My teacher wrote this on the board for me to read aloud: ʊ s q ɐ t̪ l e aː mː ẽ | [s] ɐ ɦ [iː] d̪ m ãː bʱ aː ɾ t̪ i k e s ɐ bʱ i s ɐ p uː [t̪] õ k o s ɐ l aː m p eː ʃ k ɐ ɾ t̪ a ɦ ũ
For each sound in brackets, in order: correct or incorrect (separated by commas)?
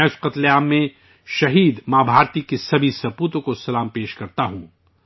incorrect, correct, correct